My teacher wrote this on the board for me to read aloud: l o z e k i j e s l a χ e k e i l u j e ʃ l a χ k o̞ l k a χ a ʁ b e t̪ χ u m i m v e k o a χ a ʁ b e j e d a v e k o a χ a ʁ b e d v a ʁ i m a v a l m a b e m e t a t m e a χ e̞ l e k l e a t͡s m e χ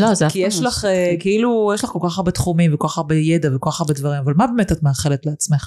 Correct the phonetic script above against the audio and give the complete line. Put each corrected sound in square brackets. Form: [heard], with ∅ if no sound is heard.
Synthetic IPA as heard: l o z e k i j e [ʃ] l a χ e k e i l u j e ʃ l a χ k o̞ l k a χ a ʁ b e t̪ χ u m i m v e k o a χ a ʁ b e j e d a v e k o a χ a ʁ b e d v a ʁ i m a v a l m a b e m e t a t m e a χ e̞ l e [t] l e a t͡s m e χ